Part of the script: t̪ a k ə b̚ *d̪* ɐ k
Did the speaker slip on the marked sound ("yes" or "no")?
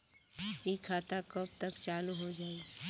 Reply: yes